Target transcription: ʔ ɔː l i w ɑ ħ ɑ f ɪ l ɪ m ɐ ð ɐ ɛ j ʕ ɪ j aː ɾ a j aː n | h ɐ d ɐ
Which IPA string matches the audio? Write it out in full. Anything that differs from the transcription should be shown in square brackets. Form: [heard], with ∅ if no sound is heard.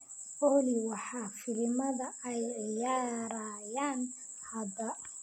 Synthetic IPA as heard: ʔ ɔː l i w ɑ ħ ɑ f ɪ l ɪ m ɐ ð ɐ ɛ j ʕ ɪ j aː ɾ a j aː n | h ɐ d ɐ